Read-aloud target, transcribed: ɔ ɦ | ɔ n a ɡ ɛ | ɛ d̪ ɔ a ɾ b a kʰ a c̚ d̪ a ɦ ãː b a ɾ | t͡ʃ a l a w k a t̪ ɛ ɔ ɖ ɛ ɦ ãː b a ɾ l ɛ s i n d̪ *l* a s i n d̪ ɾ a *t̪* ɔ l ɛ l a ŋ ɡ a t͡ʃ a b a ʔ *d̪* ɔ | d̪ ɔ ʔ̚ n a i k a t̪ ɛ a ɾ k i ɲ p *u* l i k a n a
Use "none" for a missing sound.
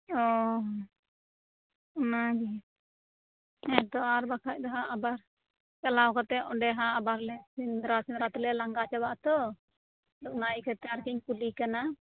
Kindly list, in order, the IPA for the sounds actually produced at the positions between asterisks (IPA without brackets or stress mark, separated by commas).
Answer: ɾ, t̪, t̪, u